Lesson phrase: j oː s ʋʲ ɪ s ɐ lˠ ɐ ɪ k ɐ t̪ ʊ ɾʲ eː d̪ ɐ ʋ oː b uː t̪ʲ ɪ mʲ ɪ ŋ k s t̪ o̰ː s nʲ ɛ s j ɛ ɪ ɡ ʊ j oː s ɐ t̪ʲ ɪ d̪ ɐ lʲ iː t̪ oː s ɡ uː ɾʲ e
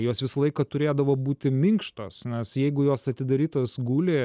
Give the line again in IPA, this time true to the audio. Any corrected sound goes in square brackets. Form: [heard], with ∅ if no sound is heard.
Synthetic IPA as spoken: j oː s ʋʲ ɪ s ɐ lˠ ɐ ɪ k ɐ t̪ ʊ ɾʲ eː d̪ ɐ ʋ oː b uː t̪ʲ ɪ mʲ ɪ ŋ k [ʃ] t̪ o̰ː s nʲ ɛ s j ɛ ɪ ɡ ʊ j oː s ɐ t̪ʲ ɪ d̪ ɐ [ɾʲ] iː t̪ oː s ɡ uː [lʲ] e